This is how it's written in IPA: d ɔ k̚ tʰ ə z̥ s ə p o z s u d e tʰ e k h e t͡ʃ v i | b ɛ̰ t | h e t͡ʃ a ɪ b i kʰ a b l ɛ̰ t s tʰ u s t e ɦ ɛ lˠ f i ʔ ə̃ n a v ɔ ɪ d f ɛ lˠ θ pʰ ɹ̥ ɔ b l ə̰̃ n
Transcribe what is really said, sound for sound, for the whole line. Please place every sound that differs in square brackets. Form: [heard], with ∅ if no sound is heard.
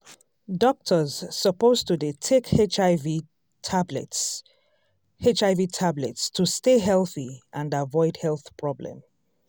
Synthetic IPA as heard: d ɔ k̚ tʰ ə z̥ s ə p o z [t] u d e tʰ e k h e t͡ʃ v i | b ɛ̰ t | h e t͡ʃ a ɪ [v] i [tʰ] a b l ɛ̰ t s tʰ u s t e ɦ ɛ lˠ [θ] i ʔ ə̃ n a v ɔ ɪ d [h] ɛ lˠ θ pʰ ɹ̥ ɔ b l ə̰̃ [m]